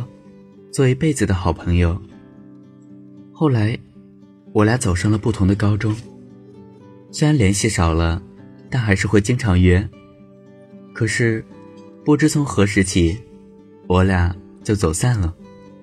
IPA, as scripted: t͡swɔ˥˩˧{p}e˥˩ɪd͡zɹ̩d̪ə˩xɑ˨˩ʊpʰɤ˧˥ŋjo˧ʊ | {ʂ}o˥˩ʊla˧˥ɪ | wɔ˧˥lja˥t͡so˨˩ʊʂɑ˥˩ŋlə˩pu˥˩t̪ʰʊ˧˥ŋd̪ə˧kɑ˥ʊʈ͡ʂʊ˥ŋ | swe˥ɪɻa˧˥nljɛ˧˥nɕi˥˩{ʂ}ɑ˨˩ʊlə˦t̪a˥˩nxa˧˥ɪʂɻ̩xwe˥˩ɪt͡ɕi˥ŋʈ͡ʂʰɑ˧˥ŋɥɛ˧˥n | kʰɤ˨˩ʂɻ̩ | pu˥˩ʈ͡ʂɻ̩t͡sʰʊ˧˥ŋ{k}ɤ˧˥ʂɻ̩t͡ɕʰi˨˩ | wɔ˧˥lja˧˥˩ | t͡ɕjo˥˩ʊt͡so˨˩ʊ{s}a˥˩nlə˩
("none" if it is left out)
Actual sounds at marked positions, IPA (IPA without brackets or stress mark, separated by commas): p, x, ʂ, x, s